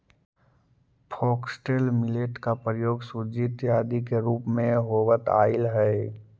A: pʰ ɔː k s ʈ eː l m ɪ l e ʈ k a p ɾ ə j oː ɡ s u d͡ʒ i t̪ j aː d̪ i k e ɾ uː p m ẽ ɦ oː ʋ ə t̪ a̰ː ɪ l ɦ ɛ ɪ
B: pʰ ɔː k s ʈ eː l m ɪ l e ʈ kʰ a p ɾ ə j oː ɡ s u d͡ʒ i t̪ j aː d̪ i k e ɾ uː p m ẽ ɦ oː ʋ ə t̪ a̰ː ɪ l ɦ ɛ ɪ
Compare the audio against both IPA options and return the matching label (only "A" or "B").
A